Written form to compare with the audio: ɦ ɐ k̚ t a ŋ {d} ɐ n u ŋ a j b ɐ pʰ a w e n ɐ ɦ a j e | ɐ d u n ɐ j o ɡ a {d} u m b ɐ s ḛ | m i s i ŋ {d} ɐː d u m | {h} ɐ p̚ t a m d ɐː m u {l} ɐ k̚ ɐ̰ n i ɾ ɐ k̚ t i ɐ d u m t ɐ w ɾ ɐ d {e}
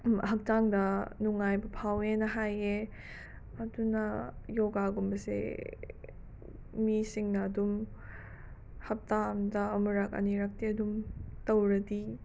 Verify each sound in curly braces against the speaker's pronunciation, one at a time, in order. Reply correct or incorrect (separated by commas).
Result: correct, incorrect, incorrect, correct, incorrect, incorrect